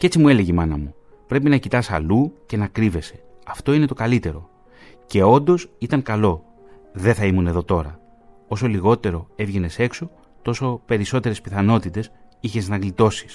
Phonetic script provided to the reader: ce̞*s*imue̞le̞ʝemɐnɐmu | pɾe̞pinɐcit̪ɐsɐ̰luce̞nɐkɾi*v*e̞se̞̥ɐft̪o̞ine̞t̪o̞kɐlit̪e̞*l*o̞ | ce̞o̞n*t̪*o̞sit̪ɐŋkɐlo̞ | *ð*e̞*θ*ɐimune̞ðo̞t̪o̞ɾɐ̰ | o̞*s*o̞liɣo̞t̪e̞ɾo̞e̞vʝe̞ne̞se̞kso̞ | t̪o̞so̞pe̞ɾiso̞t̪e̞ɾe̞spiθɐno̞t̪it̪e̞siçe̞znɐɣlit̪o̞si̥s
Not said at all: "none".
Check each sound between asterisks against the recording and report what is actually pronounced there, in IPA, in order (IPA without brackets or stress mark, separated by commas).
t͡s, v, ɾ, d̪, ð, θ, s